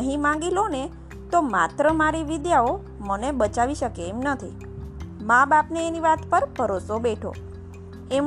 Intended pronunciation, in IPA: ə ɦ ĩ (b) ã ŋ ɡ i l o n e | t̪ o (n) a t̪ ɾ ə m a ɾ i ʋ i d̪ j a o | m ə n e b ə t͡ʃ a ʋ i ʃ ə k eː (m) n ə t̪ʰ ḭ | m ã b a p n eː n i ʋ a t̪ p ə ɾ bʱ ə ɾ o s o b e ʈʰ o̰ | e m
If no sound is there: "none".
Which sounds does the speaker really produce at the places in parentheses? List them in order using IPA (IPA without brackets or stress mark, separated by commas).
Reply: m, m, m